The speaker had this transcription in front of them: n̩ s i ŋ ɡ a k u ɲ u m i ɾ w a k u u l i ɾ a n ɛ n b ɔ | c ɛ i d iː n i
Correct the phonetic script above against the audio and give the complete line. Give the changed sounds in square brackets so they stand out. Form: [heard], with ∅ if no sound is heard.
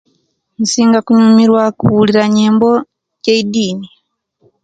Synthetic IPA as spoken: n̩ s i ŋ ɡ a k u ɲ u m i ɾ w a k u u l i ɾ a [ɲ] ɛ [m] b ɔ | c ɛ i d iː n i

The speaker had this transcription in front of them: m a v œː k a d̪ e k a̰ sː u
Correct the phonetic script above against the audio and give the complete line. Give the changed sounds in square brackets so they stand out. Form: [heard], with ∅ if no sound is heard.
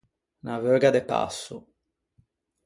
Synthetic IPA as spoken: [n] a v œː [ɡ] a d̪ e [p] a̰ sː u

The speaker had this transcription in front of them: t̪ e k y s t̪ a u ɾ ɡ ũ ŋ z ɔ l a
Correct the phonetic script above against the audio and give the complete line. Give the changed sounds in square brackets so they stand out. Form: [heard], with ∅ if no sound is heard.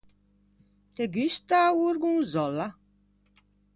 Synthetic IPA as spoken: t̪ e [ɡ] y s t̪ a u ɾ ɡ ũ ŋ z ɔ l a

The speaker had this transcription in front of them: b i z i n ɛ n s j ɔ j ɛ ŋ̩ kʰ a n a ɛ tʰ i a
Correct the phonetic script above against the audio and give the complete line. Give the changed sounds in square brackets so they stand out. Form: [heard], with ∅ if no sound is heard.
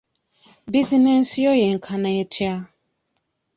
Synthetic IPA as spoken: b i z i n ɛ n s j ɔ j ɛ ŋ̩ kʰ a n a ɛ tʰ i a

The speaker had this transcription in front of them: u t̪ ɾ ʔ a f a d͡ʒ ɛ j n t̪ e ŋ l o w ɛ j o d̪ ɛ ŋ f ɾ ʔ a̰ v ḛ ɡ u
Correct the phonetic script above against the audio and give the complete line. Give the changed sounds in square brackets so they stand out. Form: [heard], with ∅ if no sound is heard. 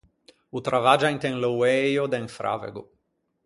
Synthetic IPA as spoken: u t̪ ɾ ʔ a [v] a d͡ʒ [a] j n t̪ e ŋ l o w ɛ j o d̪ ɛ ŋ f ɾ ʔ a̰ v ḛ ɡ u

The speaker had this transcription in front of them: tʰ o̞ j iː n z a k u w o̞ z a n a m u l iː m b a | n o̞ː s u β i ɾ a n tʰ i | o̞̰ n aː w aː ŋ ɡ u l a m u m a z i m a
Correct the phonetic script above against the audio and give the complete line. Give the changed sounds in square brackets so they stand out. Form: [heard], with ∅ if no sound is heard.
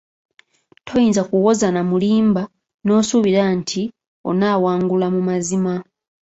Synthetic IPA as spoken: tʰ o̞ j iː n z a k u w o̞ z a n a m u l iː m b a | n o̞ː s u β i ɾ a n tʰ i | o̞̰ n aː w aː ŋ ɡ u l a m u m a z i m a

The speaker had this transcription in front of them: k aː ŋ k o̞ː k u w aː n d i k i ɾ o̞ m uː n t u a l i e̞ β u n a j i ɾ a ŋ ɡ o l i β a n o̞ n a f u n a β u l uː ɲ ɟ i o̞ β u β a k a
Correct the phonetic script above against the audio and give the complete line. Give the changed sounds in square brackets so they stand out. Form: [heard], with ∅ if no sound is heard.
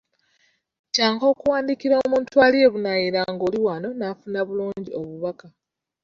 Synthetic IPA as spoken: [c] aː ŋ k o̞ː k u w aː n d i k i ɾ o̞ m uː n t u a l i e̞ β u n a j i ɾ a ŋ ɡ o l i [w] a n o̞ n a f u n a β u l uː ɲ ɟ i o̞ β u β a k a

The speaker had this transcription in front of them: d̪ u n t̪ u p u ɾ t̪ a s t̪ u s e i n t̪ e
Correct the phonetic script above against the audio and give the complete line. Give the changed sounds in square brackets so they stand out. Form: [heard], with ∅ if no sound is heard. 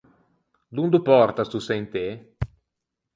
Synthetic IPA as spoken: d̪ u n [d̪] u p [ɔ] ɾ t̪ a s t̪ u s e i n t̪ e

